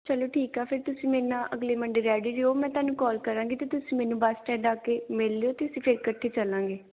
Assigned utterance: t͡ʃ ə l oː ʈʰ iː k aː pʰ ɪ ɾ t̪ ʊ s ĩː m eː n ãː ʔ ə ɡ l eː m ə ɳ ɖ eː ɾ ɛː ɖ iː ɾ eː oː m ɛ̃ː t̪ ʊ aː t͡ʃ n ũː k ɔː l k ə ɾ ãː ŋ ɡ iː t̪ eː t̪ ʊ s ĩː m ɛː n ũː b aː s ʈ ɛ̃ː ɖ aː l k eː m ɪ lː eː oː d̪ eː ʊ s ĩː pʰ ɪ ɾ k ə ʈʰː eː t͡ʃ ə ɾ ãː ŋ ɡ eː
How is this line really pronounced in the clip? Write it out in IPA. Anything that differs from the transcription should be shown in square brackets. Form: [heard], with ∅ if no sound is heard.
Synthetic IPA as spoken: t͡ʃ ə l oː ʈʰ iː k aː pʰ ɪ ɾ t̪ ʊ s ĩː m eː n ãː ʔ ə ɡ l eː m ə ɳ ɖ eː ɾ ɛː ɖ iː ɾ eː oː m ɛ̃ː t̪ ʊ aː [∅] n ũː k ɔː l k ə ɾ ãː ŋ ɡ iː t̪ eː t̪ ʊ s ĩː m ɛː n ũː b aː s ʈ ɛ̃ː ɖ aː [∅] k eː m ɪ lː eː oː [t̪] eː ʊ s ĩː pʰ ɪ ɾ k ə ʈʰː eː t͡ʃ ə [l] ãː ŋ ɡ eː